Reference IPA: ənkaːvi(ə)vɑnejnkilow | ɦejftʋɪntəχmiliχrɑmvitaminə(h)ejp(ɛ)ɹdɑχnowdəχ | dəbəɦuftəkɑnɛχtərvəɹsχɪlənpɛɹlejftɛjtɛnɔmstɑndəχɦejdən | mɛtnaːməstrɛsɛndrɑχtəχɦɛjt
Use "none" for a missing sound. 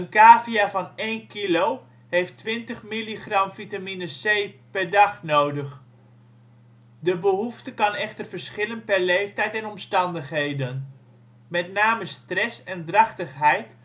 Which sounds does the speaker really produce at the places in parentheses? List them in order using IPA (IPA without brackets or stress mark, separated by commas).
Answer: a, s, ɛ